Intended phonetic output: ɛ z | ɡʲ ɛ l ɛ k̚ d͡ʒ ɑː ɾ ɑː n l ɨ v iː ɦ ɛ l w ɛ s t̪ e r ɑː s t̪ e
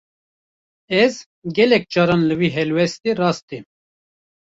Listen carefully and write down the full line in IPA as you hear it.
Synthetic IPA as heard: ɛ z | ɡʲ ɛ l ɛ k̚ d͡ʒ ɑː ɾ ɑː n l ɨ w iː ɦ ɛ l w ɛ s t̪ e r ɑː s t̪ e